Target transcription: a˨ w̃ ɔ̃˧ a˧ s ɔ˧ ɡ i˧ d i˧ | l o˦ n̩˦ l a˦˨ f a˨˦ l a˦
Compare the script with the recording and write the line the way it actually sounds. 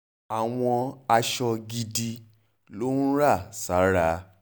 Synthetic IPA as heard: a˨ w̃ ɔ̃˧ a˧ ʃ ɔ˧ ɡ i˧ d i˧ | l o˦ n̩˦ ɾ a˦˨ s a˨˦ ɾ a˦